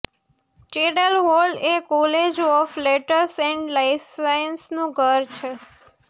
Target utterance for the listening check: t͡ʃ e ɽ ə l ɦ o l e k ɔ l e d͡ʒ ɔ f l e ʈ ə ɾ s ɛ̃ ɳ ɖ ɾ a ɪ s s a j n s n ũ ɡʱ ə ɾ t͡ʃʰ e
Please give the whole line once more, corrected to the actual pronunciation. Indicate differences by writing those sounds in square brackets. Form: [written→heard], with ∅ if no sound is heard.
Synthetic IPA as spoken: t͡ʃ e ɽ ə l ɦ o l e k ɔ l e d͡ʒ ɔ f l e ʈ ə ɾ s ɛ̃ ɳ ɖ [ɾ→l] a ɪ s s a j n s n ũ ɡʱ ə ɾ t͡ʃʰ e